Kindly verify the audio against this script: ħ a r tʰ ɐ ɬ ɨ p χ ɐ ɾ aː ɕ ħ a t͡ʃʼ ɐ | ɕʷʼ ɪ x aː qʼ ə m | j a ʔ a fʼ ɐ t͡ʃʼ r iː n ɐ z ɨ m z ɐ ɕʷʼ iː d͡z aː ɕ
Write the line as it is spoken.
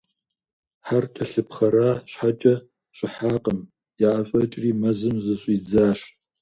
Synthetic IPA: ħ a r tʰ ɐ ɬ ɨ p χ ɐ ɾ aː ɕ ħ a t͡ʃʼ ɐ | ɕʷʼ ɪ ħ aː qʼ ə m | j a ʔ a fʼ ɐ t͡ʃʼ r iː m ɐ z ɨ m z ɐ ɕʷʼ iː d͡z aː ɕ